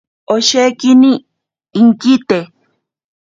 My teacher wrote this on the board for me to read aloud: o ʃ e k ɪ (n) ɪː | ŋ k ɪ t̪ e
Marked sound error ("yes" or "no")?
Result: no